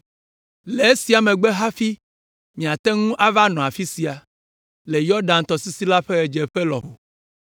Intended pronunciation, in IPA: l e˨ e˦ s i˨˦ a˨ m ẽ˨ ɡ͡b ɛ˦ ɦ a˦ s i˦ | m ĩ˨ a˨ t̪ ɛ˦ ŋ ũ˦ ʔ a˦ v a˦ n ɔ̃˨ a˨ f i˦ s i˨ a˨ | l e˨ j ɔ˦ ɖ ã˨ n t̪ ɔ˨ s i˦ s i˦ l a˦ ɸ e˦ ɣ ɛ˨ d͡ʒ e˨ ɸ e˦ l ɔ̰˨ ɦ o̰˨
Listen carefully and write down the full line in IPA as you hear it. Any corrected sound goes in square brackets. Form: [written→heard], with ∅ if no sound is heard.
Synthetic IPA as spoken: l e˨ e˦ s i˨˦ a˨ m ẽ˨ ɡ͡b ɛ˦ ɦ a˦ [s→f] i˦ | m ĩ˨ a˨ t̪ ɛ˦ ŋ ũ˦ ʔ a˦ v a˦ n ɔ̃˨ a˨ f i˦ s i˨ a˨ | l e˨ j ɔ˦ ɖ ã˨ n t̪ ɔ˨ s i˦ s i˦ l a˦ ɸ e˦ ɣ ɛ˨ d͡ʒ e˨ ɸ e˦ l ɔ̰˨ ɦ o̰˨